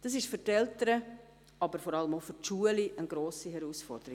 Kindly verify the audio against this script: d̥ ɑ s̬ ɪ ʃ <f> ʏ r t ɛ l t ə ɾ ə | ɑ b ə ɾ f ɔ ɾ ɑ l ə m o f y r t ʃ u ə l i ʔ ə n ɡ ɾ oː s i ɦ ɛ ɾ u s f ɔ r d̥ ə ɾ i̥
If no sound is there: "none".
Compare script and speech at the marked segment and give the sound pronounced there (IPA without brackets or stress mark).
f